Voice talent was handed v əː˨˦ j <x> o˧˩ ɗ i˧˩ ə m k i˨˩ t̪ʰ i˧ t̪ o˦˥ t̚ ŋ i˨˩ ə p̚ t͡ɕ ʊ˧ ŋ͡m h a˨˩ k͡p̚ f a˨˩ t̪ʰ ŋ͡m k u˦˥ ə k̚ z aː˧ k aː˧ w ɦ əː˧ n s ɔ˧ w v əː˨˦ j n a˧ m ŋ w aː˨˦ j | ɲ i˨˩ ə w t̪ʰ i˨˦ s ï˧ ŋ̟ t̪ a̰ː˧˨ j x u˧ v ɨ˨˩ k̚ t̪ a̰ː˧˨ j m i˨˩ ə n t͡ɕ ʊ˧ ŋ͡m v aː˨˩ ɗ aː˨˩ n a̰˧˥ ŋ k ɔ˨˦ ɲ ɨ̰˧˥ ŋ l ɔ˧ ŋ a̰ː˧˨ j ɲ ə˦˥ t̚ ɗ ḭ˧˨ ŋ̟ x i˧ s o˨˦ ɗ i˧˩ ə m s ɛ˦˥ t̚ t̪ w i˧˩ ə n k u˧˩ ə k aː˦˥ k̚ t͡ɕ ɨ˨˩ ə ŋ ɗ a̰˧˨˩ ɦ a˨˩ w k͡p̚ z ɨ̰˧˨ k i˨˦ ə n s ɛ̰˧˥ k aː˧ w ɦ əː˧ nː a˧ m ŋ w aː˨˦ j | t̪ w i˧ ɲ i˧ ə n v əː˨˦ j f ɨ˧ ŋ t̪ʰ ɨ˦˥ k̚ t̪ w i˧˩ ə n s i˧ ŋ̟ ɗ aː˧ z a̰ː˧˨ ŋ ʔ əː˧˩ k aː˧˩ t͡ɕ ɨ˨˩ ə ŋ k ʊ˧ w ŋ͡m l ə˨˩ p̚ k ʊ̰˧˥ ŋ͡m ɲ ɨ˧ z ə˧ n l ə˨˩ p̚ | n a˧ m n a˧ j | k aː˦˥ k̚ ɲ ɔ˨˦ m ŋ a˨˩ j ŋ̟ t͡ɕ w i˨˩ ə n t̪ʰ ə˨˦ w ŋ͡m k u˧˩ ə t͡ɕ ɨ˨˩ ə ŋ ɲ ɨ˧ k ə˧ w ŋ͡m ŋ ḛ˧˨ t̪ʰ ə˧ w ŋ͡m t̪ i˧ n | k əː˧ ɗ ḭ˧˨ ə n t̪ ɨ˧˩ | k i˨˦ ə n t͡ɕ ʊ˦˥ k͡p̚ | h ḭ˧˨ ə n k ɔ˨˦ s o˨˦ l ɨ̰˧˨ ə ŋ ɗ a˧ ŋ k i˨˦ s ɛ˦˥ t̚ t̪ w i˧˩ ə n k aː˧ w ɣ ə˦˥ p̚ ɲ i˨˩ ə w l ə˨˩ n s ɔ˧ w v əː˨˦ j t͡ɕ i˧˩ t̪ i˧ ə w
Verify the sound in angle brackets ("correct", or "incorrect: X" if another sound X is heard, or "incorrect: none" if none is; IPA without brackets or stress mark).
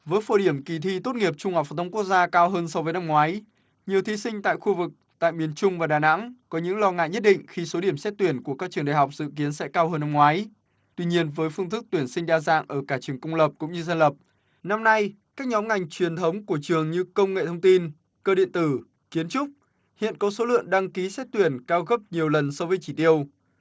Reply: incorrect: f